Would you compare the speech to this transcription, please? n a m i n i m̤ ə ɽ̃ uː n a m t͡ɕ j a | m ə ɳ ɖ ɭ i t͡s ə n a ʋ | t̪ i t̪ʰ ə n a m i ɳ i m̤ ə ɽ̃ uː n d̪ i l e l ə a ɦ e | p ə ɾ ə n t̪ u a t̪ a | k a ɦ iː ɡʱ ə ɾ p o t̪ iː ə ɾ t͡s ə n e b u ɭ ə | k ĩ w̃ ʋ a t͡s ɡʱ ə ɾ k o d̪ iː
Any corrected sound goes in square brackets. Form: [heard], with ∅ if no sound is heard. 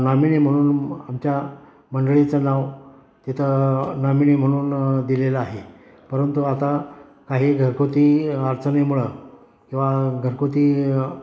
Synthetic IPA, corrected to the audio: n a m i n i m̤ ə ɽ̃ uː n a m t͡ɕ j a | m ə ɳ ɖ ɭ i t͡s ə n a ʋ | t̪ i t̪ʰ ə n a m i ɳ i m̤ ə ɽ̃ uː n d̪ i l e l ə a ɦ e | p ə ɾ ə n t̪ u a t̪ a | k a ɦ iː ɡʱ ə ɾ [k] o t̪ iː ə ɾ t͡s ə n e [m] u ɭ ə | k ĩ w̃ ʋ a [∅] ɡʱ ə ɾ k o [t̪] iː